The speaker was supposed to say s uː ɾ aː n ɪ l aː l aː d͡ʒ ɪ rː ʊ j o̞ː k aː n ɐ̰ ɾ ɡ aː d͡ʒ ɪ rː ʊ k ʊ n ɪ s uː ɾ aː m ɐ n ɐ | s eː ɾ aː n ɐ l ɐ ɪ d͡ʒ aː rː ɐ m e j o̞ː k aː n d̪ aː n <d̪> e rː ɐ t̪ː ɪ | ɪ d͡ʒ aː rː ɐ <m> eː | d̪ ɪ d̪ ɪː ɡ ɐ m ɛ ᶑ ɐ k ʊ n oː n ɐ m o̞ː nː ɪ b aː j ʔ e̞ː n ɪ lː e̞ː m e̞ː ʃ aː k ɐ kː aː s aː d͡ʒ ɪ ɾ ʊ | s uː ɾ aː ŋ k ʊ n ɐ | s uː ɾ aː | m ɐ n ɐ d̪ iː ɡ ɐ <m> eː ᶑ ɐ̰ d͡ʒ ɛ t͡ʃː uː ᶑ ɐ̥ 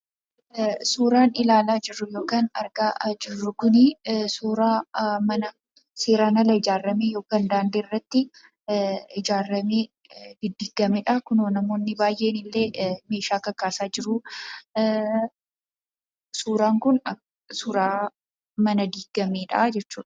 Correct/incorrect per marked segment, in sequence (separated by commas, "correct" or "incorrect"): correct, correct, correct